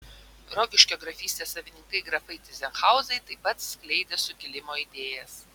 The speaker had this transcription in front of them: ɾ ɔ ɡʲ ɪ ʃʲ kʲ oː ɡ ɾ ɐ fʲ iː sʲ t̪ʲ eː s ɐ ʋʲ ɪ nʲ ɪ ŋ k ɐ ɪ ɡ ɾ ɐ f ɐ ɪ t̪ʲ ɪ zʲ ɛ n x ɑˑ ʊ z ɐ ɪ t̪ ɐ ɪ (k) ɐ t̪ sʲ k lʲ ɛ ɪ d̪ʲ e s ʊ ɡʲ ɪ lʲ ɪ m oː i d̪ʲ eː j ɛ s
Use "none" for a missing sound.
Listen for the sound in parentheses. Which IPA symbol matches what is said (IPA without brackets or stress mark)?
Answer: p